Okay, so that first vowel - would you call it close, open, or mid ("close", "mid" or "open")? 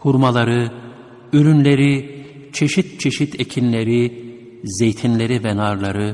close